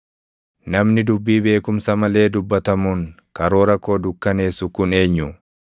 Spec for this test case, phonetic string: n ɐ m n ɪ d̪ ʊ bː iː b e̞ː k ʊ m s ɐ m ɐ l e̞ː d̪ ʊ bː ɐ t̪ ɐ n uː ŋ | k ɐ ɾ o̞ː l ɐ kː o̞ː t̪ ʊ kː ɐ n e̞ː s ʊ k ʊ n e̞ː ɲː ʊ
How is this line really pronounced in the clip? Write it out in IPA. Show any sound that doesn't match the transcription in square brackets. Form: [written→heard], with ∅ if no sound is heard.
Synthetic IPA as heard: n ɐ m n ɪ d̪ ʊ bː iː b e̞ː k ʊ m s ɐ m ɐ l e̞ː d̪ ʊ bː ɐ t̪ ɐ [n→m] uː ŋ | k ɐ ɾ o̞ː [l→ɾ] ɐ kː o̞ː [t̪→d̪] ʊ kː ɐ n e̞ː s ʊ k ʊ n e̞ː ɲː ʊ